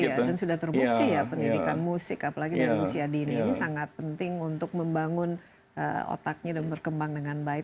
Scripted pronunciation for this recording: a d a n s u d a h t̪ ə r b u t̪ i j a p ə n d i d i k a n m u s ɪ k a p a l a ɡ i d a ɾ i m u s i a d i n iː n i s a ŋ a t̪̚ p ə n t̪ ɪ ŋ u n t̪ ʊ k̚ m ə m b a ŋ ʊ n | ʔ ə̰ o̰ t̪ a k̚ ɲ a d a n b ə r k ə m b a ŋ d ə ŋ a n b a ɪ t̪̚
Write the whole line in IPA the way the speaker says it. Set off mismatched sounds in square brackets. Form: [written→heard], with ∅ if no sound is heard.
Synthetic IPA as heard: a d a n s u d a h t̪ ə r b u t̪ i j a p ə n d i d i k a n m u s ɪ k a p a l a ɡ i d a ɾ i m u s i a d i n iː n i s a ŋ a t̪̚ p ə n t̪ ɪ ŋ u n t̪ ʊ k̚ m ə m b a ŋ ʊ n | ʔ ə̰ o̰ t̪ a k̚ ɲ a d a n b ə r k ə m b a ŋ d ə ŋ a n b a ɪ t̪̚

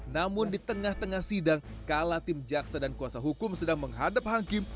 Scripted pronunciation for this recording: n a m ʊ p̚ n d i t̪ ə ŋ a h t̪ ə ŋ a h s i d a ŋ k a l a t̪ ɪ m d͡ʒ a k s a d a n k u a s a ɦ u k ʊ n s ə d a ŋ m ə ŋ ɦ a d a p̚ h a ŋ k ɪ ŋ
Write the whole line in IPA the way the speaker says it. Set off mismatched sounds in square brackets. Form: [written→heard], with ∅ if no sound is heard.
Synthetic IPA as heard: n a m ʊ [p̚→∅] n d i t̪ ə ŋ a h t̪ ə ŋ a h s i d a ŋ k a l a t̪ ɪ m d͡ʒ a k s a d a n k u a s a ɦ u k ʊ [n→m] s ə d a ŋ m ə ŋ ɦ a d a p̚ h a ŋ k ɪ [ŋ→m]

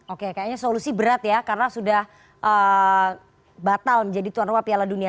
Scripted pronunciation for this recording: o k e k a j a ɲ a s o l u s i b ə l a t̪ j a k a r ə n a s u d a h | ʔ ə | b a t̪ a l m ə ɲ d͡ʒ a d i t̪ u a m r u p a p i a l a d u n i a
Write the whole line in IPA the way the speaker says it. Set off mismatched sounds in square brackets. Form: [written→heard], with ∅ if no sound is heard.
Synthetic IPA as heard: o k e k a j a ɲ a s o l u s i b ə [l→ɾ] a t̪ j a k a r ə n a s u d a h | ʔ ə | b a t̪ a l m ə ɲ d͡ʒ a d i t̪ u a [m→n] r u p a p i a l a d u n i a

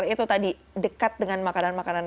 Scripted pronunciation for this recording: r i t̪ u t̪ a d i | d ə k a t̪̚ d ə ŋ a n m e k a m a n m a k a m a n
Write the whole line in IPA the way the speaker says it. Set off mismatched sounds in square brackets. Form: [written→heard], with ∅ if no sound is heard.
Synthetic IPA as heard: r i t̪ u t̪ a d i | d ə k a t̪̚ d ə ŋ a n m [e→a] k a [m→n] a n m a k a [m→n] a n

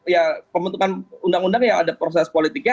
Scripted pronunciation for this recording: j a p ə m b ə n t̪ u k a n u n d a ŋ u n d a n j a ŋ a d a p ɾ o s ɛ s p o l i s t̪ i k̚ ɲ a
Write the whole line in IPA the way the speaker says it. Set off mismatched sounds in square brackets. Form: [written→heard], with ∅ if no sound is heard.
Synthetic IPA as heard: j a p ə m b ə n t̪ u k a n u n d a ŋ u n d a [n→ŋ] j a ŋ a d a p ɾ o s ɛ s p o l i [s→∅] t̪ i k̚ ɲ a

